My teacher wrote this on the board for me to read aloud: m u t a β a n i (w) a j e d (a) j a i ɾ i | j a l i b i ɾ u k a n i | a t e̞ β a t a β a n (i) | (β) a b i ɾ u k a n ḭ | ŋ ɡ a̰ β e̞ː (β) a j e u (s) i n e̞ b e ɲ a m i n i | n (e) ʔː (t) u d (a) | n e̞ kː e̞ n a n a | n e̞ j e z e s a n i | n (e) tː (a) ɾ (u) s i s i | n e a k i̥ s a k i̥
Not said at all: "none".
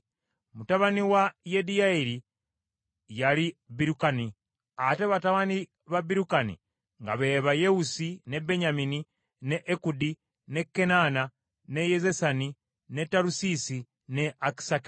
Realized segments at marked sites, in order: w, i, i, β, β, s, e, k, i, e, a, u

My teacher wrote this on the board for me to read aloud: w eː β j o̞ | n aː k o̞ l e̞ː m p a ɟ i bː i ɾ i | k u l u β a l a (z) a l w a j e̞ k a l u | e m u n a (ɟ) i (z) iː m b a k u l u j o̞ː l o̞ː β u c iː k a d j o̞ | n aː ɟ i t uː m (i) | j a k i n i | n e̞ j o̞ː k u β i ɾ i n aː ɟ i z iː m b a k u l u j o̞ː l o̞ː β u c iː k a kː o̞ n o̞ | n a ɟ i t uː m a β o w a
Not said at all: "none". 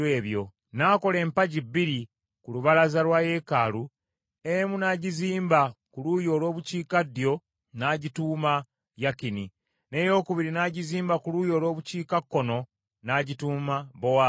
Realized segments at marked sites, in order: z, ɟ, z, a

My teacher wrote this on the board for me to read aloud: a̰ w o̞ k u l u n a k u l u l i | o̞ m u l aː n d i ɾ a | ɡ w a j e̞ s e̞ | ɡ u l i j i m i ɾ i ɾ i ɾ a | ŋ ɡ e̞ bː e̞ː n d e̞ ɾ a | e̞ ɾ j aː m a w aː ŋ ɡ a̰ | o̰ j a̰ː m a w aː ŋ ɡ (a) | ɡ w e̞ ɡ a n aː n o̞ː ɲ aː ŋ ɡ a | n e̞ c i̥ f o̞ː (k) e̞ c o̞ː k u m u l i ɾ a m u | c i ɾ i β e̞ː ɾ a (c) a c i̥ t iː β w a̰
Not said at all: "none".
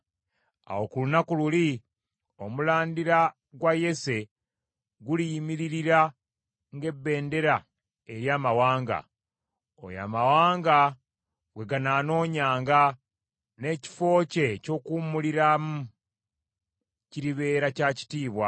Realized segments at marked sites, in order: a, c, c

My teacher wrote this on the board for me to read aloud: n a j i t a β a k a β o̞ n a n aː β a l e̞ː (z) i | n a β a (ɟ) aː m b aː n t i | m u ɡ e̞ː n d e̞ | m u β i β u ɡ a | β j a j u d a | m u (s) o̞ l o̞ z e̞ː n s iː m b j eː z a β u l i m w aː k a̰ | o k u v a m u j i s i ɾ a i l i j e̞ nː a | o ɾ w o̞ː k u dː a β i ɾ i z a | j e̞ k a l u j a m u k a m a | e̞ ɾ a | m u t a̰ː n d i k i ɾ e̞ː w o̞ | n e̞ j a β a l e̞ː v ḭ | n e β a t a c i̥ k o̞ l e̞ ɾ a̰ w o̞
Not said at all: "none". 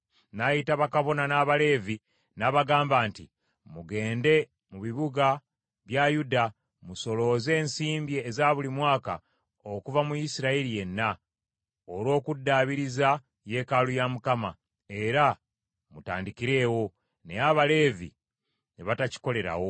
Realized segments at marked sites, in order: v, ɡ, s

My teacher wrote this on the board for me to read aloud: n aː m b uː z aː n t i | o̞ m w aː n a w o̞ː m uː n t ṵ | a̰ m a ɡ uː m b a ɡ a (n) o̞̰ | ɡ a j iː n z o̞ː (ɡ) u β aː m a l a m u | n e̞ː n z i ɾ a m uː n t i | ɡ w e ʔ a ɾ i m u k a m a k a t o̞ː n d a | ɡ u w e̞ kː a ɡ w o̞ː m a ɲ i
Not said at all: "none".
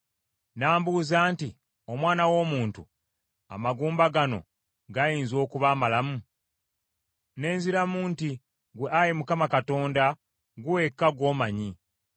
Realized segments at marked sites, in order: n, k

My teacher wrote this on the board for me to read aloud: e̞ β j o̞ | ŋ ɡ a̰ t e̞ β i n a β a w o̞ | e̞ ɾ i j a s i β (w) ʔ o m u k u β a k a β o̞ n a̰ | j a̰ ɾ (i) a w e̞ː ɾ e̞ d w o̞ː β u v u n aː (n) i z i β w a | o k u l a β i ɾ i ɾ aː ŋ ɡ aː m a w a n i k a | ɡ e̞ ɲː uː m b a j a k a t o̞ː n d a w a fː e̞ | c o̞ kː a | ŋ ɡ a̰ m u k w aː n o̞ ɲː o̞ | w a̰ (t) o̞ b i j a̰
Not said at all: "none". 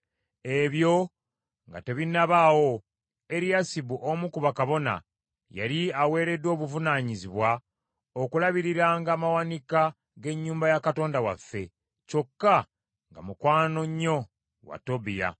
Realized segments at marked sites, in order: u, i, ɲ, t

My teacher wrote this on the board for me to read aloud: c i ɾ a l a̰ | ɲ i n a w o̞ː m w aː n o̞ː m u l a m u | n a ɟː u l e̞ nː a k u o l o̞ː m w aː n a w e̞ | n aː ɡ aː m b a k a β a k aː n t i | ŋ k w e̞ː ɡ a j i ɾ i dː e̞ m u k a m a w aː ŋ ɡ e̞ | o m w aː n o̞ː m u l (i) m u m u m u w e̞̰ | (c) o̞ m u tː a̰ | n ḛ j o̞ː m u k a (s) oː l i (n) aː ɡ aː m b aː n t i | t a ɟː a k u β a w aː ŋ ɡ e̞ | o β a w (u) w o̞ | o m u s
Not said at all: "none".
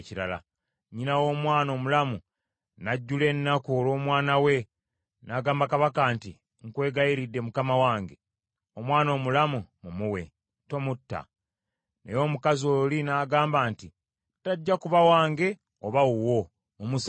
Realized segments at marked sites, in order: a, t, z, n, u

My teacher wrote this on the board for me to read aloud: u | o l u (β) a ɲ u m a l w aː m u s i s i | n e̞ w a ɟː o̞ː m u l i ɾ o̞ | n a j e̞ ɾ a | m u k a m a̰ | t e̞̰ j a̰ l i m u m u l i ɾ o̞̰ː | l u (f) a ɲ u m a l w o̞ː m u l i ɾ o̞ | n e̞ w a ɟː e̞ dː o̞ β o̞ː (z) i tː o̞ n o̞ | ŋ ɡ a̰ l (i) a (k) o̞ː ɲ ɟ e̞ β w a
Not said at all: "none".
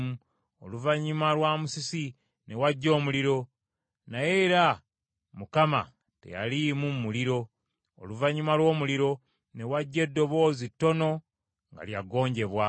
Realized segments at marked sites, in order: v, v, z, j, ɡ

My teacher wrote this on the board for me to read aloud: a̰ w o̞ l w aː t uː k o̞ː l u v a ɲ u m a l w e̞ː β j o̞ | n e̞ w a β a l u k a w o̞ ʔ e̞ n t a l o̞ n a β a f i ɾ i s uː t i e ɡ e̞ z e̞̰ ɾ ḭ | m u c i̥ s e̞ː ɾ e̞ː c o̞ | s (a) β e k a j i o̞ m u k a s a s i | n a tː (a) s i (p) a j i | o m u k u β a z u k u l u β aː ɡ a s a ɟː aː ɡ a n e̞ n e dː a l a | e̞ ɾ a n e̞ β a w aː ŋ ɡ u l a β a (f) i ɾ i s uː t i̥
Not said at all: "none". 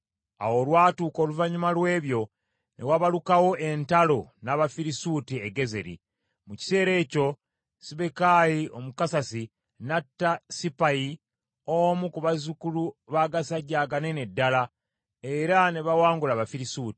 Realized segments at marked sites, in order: i, a, p, f

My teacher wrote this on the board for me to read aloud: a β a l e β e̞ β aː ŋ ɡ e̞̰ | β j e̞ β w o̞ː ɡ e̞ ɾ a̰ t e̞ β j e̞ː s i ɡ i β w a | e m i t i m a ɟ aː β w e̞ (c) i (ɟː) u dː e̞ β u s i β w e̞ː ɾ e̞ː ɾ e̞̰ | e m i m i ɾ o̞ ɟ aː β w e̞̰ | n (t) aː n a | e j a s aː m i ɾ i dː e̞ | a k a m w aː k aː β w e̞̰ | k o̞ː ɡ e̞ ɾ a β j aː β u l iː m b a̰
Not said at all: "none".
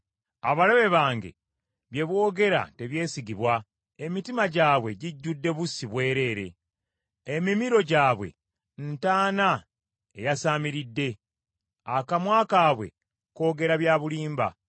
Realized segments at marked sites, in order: ɟ, ɟː, t

